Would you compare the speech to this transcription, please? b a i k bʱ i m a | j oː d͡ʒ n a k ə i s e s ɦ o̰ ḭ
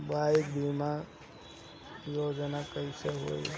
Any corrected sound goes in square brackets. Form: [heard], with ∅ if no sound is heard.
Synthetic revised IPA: b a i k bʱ i m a | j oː d͡ʒ n a k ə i s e [∅] ɦ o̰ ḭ